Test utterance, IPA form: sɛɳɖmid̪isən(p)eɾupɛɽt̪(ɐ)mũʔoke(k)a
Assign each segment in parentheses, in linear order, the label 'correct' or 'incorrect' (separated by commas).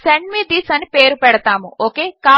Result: correct, incorrect, correct